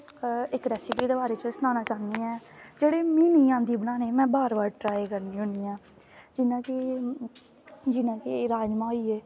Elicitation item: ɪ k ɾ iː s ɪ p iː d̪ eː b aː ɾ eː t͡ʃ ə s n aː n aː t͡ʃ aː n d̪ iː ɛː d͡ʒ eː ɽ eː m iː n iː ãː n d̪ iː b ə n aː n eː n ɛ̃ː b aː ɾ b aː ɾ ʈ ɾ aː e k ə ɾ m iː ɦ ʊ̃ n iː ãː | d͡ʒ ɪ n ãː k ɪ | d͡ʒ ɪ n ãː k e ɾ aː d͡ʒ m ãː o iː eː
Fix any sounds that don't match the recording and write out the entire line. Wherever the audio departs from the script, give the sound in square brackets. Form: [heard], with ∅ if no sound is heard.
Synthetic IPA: ɪ k ɾ [ɛː] s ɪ p iː d̪ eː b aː ɾ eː t͡ʃ ə s n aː n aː t͡ʃ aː n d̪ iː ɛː d͡ʒ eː ɽ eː m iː n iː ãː n d̪ iː b ə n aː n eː [m] ɛ̃ː b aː ɾ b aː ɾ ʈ ɾ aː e k ə ɾ [n] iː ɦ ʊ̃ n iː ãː | d͡ʒ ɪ n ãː k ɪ | d͡ʒ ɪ n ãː k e ɾ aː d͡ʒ m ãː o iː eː